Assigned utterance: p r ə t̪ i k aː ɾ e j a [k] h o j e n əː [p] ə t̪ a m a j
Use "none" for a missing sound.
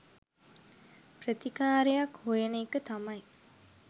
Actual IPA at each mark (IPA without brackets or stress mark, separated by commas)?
k, k